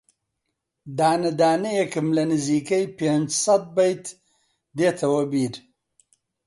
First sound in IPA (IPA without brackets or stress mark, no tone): d̪